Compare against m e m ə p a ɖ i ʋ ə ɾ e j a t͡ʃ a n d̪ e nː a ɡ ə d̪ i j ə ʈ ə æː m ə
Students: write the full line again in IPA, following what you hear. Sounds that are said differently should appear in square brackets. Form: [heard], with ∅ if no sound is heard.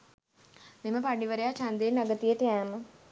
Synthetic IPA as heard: m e m ə p a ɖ i ʋ ə ɾ e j a t͡ʃ a n d̪ e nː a ɡ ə [t̪] i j ə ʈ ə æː m ə